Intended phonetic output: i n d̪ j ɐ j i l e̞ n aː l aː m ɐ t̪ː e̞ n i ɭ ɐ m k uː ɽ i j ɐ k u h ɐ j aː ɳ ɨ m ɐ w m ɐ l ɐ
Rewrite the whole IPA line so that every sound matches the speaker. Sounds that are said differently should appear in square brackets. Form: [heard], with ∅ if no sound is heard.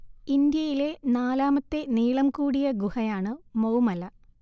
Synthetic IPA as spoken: i n d̪ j ɐ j i l e̞ n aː l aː m ɐ t̪ː e̞ n [iː] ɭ ɐ m k uː ɽ i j ɐ [ɡ] u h ɐ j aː ɳ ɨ m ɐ w m ɐ l ɐ